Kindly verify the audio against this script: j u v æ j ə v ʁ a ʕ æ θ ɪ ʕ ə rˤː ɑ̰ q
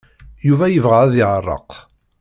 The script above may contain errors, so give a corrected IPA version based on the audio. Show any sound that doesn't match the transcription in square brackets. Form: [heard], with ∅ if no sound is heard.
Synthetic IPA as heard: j u v æ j ə v ʁ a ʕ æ [ð] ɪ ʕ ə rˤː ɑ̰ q